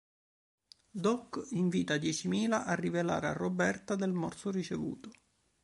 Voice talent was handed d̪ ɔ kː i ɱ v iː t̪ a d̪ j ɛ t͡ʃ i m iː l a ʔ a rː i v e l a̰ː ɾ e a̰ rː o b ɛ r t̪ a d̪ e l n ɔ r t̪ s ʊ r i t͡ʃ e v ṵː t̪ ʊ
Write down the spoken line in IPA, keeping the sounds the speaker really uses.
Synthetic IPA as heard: d̪ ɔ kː i ɱ v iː t̪ a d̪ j ɛ t͡ʃ i m iː l a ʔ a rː i v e l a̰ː ɾ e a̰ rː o b ɛ r t̪ a d̪ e l m ɔ r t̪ s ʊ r i t͡ʃ e v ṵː t̪ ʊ